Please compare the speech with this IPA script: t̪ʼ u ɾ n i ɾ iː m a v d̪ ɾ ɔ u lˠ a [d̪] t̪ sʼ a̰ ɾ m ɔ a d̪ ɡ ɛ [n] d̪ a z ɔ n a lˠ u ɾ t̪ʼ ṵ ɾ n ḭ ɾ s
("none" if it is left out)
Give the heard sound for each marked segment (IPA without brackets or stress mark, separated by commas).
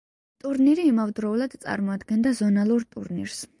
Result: d̪, n